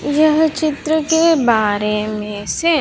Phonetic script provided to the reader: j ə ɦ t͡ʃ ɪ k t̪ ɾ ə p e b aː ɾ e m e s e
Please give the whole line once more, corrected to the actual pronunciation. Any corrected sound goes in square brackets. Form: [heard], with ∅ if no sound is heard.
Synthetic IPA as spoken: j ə ɦ t͡ʃ ɪ [∅] t̪ ɾ ə [k] e b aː ɾ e m [ẽ] s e